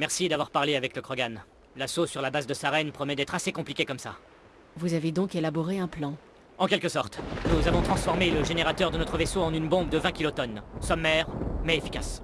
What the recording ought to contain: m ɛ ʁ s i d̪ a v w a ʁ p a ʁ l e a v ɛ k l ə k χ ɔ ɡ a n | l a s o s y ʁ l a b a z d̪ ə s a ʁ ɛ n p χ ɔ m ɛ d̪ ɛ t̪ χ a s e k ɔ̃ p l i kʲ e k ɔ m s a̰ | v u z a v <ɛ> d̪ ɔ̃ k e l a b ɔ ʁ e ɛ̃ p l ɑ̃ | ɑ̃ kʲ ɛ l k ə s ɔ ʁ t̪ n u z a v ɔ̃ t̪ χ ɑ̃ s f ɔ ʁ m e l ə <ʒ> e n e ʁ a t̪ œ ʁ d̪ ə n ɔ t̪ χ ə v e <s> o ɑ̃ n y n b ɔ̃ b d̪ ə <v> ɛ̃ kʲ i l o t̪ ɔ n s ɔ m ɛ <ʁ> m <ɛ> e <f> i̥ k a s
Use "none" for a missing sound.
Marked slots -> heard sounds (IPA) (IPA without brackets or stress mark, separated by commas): e, ʒ, s, v, ʁ, ɛ, f